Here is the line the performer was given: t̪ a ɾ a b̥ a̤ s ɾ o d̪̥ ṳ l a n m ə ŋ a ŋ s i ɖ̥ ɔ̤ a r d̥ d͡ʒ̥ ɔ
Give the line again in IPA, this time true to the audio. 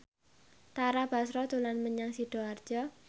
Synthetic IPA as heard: t̪ a ɾ a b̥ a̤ s ɾ ɔ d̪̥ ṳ l a n m ə ɲ a ŋ s i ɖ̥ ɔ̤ a r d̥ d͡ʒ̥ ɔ